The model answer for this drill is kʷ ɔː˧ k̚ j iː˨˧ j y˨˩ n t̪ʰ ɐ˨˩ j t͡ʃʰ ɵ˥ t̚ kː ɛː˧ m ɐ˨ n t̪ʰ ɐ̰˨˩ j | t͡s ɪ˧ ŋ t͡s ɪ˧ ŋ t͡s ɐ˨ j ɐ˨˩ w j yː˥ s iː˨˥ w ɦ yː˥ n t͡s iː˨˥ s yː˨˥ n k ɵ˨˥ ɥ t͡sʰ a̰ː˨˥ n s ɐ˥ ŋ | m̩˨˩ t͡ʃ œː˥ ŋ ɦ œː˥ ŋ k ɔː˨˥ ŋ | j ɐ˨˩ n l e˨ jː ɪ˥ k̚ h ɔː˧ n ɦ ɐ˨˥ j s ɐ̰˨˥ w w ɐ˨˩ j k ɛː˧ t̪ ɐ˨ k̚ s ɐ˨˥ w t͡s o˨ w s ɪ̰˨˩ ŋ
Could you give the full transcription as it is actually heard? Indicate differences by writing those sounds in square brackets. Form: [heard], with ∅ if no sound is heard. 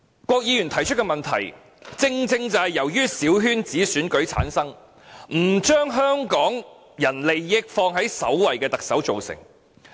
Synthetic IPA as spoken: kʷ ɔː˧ k̚ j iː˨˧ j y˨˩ n t̪ʰ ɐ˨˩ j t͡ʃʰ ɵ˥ t̚ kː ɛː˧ m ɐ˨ n t̪ʰ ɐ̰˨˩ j | t͡s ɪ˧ ŋ t͡s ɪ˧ ŋ t͡s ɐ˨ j ɐ˨˩ w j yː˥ s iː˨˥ w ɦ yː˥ n t͡s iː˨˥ s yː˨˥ n k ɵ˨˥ ɥ t͡sʰ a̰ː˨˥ n s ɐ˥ ŋ | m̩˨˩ t͡ʃ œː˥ ŋ ɦ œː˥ ŋ k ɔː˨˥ ŋ | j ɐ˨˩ n l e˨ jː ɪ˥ k̚ [f] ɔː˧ [ŋ] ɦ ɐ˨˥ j s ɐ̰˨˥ w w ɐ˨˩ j k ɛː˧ t̪ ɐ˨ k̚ s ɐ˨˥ w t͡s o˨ w s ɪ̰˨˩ ŋ

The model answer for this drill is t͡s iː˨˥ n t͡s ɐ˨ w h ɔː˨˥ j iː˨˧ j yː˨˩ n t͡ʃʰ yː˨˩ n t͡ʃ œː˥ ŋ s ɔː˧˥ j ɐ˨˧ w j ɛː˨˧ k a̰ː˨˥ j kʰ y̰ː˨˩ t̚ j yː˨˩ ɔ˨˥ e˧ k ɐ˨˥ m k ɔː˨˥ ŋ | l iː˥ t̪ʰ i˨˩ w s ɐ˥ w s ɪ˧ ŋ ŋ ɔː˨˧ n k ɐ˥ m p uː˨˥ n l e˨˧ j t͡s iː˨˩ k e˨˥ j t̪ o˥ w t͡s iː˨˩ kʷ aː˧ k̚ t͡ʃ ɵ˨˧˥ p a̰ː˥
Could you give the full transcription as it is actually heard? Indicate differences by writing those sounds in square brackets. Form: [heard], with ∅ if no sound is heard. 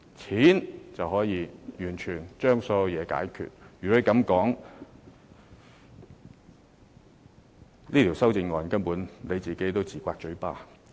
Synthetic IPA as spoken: [t͡sʰ] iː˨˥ n t͡s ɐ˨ w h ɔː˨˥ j iː˨˧ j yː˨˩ n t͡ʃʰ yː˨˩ n t͡ʃ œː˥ ŋ s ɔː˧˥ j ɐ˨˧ w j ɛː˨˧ k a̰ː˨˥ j kʰ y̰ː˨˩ t̚ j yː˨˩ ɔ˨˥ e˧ k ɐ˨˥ m k ɔː˨˥ ŋ | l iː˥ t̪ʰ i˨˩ w s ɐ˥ w [t͡s] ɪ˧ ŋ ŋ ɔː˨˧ n k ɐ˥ [n] p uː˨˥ n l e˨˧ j t͡s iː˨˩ k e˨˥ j t̪ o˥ w t͡s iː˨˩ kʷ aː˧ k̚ t͡ʃ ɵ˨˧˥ p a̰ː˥

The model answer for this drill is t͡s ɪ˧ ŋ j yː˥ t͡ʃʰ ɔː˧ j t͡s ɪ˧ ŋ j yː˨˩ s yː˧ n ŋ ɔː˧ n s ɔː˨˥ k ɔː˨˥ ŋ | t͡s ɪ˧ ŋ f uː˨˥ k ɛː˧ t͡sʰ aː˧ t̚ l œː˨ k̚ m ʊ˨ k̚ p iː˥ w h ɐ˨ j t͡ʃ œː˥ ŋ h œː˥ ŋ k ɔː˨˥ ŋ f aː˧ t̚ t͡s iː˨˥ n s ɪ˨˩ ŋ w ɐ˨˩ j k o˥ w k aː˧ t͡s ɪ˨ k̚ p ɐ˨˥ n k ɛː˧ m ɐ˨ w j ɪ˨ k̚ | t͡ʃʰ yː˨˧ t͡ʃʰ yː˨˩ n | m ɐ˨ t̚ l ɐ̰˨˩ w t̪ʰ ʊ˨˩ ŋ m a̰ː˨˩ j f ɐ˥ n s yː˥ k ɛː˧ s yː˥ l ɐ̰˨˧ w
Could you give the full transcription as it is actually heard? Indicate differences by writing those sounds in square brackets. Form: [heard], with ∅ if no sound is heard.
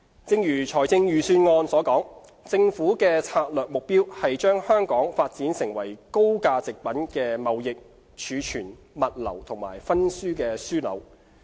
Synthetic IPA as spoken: t͡s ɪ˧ ŋ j [yː˨˩] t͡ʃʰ [ɔː˨˩] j t͡s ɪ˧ ŋ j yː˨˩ s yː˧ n ŋ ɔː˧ n s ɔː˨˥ k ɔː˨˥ ŋ | t͡s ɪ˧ ŋ f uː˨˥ k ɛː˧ t͡sʰ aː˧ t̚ l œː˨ k̚ m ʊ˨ k̚ p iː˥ w h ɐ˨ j t͡ʃ œː˥ ŋ h œː˥ ŋ k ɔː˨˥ ŋ f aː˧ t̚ t͡s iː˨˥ n s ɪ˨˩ ŋ w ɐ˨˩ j k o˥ w k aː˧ t͡s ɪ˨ k̚ p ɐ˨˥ n k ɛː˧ m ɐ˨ w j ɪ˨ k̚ | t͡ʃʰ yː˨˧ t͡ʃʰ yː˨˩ n | m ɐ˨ t̚ l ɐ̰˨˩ w t̪ʰ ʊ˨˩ ŋ m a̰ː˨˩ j f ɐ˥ n s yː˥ k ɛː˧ s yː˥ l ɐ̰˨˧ w

